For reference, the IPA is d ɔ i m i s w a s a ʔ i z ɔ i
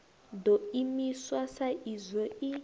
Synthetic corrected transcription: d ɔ i m i s w a s a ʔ i z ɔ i